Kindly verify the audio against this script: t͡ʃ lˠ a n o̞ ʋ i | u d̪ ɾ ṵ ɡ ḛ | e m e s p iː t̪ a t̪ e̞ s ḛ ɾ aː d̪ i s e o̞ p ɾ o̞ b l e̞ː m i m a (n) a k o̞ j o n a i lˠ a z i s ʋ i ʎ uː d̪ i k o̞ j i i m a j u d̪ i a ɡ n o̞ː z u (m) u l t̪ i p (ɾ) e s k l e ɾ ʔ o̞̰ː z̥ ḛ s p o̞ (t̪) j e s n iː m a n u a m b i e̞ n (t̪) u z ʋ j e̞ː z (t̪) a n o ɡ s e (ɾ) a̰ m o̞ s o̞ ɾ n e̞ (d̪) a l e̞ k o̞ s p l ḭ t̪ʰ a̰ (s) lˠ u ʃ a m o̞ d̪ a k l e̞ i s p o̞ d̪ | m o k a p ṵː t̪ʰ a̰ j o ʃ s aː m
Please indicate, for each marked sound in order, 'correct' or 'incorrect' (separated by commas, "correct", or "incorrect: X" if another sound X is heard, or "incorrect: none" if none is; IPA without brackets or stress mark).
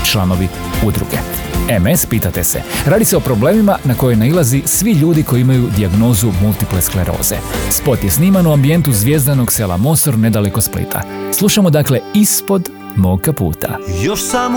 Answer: correct, correct, incorrect: l, correct, correct, incorrect: d̪, incorrect: l, correct, correct